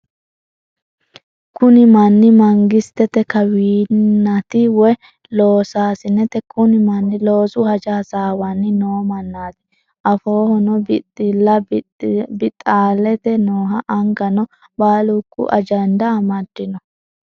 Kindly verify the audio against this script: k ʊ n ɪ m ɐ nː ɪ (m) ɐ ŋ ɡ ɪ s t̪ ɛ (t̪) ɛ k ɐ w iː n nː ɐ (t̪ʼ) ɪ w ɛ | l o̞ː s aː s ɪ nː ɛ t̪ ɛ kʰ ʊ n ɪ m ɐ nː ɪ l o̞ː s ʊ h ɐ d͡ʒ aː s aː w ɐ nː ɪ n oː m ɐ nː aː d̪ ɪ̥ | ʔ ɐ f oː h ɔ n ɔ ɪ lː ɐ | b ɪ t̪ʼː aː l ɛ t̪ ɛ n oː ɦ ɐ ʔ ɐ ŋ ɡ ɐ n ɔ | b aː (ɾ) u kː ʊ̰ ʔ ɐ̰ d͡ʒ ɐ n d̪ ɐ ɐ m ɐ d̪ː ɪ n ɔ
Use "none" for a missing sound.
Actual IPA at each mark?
m, t̪, t̪, l

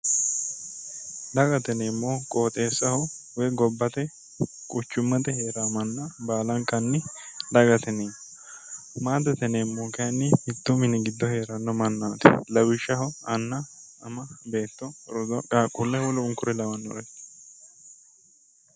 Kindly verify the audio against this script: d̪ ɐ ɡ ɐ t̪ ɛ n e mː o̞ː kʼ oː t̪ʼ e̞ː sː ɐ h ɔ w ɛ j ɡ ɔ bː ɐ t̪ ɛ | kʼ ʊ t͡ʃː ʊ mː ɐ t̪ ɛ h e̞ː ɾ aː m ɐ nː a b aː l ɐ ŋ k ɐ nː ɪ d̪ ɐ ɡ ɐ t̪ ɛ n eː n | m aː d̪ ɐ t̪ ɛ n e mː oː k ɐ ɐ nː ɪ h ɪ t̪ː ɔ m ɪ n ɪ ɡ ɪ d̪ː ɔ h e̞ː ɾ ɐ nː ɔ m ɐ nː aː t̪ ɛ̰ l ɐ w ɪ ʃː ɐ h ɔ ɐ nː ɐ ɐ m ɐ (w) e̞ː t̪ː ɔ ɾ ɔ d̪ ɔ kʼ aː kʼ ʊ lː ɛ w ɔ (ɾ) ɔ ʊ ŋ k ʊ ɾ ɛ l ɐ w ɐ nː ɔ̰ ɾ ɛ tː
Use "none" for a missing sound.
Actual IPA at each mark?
b, l

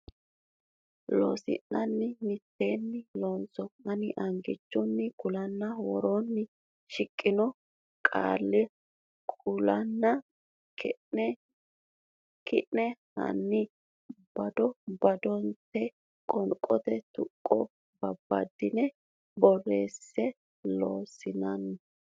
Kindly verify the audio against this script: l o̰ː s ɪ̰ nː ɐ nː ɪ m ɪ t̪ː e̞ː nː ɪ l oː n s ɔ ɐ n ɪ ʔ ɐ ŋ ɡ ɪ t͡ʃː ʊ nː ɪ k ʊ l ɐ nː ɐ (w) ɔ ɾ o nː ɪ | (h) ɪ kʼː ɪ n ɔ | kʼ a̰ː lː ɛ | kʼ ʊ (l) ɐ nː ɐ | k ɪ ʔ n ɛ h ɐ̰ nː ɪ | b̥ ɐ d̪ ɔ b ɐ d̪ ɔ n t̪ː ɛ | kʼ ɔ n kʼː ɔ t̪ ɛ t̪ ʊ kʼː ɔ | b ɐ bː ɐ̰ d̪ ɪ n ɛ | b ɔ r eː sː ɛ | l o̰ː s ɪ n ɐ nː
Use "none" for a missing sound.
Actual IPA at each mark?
w, ʃ, l

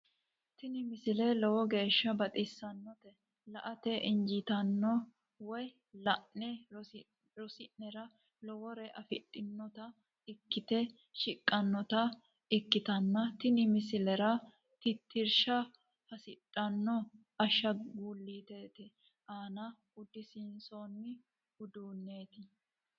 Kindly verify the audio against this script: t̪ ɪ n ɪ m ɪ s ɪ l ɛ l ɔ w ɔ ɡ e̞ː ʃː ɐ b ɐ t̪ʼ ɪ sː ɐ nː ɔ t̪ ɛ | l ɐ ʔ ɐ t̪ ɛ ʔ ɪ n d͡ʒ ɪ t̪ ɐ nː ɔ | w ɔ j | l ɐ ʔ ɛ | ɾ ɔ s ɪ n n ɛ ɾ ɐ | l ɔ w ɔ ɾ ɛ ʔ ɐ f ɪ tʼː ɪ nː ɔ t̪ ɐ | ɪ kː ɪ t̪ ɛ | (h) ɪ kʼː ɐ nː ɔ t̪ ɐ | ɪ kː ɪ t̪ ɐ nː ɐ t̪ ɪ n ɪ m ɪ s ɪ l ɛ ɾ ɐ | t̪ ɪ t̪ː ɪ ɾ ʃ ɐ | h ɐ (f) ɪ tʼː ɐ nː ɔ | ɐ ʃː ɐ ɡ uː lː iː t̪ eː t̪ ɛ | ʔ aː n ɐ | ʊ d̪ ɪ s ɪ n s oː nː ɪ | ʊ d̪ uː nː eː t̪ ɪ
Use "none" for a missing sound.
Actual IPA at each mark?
ʃ, s

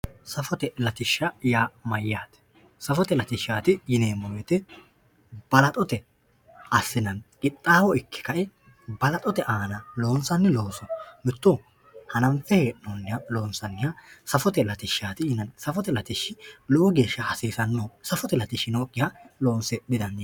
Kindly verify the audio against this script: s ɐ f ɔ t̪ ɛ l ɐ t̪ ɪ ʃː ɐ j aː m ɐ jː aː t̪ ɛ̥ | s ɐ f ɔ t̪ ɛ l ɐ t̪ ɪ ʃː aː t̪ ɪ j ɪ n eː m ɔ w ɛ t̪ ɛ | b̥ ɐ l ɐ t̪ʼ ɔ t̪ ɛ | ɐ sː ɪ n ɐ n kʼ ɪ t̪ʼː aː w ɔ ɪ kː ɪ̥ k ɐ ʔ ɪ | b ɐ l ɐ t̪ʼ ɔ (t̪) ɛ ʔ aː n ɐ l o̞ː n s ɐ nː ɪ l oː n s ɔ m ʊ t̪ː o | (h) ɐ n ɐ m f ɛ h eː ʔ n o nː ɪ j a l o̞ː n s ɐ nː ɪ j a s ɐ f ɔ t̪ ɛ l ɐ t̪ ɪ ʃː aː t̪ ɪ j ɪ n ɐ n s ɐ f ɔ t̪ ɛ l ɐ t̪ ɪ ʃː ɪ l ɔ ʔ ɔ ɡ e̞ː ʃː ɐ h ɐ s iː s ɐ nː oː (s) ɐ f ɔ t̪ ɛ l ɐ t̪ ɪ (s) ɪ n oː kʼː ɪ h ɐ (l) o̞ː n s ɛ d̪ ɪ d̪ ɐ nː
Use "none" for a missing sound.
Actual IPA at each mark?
t̪, h, s, ʃ, l

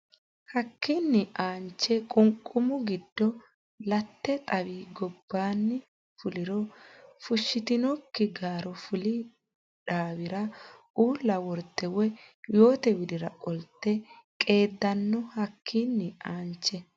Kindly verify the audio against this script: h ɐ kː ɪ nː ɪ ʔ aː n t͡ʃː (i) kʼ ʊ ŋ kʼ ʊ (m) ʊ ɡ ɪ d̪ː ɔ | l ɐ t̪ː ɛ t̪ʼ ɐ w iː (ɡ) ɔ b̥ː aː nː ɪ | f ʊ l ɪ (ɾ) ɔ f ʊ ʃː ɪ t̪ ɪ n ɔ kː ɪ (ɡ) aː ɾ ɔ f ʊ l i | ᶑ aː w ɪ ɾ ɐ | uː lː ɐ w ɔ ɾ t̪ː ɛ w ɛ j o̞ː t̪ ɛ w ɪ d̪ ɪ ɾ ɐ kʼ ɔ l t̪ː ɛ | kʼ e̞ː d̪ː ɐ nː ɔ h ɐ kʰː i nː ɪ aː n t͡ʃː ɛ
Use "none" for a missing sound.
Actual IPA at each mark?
ɛ, m, ɡ, ɾ, ɡ

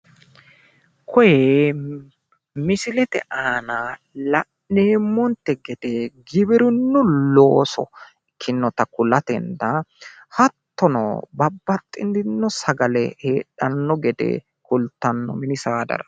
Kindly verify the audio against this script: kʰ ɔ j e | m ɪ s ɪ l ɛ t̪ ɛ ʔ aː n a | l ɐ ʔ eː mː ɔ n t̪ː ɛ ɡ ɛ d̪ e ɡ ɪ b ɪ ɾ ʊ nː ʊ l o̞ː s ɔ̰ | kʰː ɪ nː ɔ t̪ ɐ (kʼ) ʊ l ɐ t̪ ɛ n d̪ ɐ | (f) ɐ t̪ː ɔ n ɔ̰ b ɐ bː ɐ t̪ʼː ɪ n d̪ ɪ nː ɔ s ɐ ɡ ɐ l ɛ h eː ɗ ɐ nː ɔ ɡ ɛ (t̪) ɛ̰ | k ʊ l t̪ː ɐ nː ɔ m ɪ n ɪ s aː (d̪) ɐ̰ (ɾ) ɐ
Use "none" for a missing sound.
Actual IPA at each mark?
k, h, d̪, d̪, ɾ

